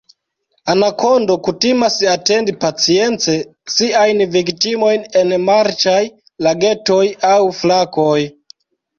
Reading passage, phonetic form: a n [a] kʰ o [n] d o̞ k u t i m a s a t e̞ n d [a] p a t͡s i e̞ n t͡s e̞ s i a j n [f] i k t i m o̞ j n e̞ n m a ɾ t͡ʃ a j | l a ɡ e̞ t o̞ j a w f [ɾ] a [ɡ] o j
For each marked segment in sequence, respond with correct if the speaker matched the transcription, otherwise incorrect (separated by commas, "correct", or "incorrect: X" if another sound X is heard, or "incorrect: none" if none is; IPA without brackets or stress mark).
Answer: correct, correct, incorrect: i, incorrect: v, incorrect: l, incorrect: k